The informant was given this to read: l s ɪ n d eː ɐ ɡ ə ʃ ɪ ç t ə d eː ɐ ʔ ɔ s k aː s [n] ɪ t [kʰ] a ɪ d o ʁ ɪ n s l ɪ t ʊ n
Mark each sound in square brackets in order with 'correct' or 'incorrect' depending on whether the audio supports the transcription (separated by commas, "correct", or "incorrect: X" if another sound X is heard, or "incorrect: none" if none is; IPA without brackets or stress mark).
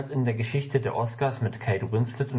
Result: incorrect: m, correct